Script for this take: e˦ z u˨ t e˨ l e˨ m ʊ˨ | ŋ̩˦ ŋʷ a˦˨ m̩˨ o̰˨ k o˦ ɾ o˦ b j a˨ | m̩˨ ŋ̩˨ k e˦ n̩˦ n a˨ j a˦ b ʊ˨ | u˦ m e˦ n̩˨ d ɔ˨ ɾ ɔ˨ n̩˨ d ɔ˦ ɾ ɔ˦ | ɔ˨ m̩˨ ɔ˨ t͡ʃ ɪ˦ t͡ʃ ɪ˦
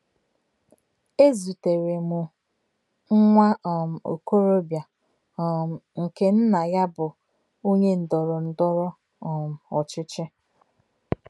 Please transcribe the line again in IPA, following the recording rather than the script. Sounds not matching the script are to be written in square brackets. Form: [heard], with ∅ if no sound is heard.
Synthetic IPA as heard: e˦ z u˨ t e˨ [ɾ] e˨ m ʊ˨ | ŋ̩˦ ŋʷ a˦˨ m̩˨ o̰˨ k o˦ ɾ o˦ b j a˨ | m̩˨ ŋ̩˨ k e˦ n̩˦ n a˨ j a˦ b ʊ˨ | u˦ [ɲ] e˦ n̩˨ d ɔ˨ ɾ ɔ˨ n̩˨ d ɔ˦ ɾ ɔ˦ | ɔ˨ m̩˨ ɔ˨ t͡ʃ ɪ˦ t͡ʃ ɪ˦